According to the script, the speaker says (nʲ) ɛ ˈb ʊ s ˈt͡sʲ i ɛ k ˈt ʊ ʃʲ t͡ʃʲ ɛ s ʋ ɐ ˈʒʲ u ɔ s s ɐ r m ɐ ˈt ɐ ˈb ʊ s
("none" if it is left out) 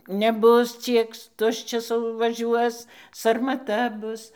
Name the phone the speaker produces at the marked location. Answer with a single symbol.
nʲ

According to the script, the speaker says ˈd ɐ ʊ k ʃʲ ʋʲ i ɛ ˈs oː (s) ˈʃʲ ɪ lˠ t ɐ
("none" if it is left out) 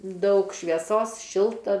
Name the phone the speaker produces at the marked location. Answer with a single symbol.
s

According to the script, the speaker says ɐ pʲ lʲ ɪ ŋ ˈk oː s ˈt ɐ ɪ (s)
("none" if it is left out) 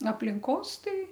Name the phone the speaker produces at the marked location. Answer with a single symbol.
none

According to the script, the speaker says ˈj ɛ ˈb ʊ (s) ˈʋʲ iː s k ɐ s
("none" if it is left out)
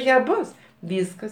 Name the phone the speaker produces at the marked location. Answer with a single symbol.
s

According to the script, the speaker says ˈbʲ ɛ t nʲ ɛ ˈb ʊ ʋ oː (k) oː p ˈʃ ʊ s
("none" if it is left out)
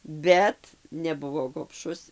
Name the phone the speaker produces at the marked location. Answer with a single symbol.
ɡ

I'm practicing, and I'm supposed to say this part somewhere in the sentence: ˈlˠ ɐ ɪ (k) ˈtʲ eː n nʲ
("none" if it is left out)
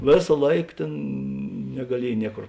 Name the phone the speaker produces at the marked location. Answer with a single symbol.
k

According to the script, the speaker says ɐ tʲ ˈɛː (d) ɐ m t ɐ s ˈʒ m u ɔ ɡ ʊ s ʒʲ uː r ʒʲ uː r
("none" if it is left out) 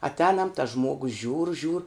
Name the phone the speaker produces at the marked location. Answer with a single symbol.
n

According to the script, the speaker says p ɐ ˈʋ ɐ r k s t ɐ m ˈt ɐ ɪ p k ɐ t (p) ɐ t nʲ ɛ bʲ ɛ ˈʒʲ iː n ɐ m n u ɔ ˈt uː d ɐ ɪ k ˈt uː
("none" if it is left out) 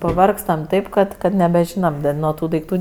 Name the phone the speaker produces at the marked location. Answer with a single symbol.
k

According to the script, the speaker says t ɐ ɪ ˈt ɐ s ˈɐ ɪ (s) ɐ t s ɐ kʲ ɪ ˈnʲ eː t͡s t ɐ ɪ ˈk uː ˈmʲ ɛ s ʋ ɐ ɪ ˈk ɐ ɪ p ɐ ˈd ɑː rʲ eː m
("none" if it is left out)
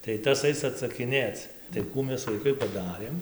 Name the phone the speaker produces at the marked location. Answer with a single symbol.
s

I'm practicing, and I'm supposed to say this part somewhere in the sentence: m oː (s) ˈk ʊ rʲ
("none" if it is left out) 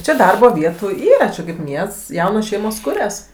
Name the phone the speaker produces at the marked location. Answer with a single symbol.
s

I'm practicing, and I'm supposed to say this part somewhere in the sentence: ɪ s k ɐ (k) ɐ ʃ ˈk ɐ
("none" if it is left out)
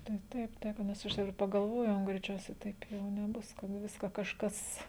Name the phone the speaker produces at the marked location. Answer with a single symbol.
k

